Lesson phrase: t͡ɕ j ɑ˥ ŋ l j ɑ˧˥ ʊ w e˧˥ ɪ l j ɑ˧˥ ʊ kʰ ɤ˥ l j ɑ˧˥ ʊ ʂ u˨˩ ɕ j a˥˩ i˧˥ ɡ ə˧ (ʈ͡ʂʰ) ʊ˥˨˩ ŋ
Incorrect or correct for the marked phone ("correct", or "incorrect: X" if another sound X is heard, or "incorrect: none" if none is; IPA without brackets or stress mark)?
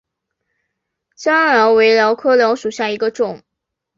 incorrect: ʈ͡ʂ